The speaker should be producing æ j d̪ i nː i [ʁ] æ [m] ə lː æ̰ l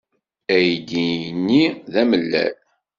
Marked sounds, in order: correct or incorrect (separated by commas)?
incorrect, correct